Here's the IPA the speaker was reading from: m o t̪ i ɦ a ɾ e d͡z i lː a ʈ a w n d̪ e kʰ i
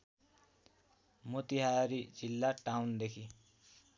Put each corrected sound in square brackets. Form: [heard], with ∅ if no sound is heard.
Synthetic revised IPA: m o t̪ i ɦ a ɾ [i] d͡z i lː a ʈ a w n d̪ e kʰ i